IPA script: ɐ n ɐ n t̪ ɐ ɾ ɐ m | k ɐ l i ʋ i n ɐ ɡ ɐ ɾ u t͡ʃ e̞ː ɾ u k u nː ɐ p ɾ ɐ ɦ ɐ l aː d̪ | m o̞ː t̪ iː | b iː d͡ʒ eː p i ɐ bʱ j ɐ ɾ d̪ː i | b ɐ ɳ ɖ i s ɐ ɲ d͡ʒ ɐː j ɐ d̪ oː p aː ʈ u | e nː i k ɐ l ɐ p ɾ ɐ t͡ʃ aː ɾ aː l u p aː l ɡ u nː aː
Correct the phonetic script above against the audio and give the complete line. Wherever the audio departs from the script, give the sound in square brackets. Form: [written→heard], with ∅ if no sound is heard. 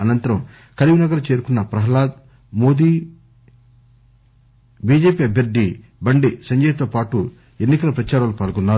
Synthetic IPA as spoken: ɐ n ɐ n t̪ ɐ ɾ ɐ m | k ɐ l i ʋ i n ɐ ɡ ɐ ɾ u t͡ʃ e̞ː ɾ u k u nː ɐ p ɾ ɐ ɦ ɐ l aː d̪ | m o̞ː [t̪→d̪] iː | b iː d͡ʒ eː p i ɐ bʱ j ɐ ɾ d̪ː i | b ɐ ɳ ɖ i s ɐ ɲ d͡ʒ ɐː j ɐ [d̪→t̪] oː p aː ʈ u | e nː i k ɐ l ɐ p ɾ ɐ t͡ʃ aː ɾ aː l u p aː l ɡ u nː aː